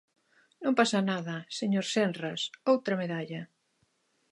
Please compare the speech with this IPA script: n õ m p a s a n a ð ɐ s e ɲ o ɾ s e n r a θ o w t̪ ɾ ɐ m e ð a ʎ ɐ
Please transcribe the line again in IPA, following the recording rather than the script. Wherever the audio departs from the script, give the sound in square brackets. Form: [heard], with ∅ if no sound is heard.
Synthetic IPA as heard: n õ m p a s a n a ð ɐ s e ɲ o ɾ s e n r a [s] o w t̪ ɾ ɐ m e ð a ʎ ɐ